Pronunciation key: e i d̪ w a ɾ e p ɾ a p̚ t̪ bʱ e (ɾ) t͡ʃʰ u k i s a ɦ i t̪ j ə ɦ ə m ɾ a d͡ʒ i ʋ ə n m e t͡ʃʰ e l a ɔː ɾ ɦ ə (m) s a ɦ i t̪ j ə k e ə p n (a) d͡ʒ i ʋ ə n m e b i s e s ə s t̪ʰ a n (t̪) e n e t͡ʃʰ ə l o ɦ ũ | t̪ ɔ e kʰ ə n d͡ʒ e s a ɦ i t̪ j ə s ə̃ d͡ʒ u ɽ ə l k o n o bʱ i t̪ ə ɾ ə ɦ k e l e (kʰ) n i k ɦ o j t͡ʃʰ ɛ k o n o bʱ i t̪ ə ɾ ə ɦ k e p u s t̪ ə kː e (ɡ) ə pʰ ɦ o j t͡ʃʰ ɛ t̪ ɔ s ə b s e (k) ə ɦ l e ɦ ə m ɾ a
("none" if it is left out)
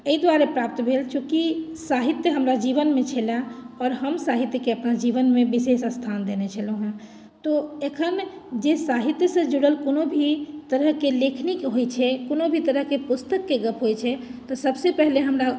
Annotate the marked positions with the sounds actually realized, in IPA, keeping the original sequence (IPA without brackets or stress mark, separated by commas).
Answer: l, m, a, d̪, kʰ, ɡ, p